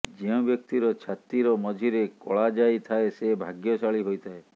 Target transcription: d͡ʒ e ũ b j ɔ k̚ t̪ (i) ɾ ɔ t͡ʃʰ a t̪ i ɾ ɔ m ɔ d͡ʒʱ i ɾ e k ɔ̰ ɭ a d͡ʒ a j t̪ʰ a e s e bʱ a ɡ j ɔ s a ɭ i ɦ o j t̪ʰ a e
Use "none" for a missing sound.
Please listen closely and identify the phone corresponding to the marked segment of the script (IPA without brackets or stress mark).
i